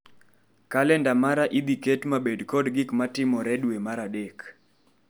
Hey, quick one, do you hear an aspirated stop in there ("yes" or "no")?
no